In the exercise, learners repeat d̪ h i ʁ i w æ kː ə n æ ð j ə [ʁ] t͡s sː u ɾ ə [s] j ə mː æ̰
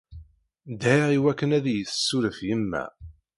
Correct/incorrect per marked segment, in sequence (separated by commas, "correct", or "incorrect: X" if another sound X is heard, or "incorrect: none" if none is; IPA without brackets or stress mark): incorrect: none, incorrect: f